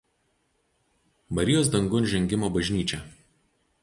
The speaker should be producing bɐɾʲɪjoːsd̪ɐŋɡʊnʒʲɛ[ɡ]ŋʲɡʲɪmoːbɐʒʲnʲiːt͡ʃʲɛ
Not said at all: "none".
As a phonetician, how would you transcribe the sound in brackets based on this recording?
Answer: none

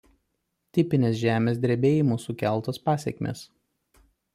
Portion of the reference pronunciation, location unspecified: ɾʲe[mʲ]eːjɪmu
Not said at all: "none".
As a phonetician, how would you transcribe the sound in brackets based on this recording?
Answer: bʲ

